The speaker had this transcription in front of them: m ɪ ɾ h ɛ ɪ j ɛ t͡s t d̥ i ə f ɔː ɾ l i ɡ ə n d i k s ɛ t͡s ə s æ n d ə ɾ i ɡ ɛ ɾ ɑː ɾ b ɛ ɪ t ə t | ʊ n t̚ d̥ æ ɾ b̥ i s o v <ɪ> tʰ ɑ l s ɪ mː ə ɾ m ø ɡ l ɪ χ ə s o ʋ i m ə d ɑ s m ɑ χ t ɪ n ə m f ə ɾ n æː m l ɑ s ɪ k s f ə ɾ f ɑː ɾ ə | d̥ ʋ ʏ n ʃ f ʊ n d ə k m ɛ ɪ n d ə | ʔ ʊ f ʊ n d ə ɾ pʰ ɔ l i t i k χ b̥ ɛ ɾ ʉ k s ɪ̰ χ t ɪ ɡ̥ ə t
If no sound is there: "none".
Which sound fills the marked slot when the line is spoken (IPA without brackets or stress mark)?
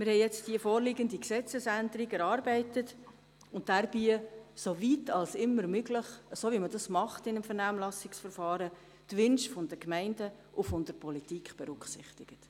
i